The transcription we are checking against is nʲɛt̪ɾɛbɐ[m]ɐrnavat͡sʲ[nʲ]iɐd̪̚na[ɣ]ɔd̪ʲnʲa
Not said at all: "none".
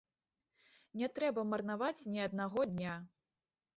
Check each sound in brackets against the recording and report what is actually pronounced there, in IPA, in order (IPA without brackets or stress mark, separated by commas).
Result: m, nʲ, ɣ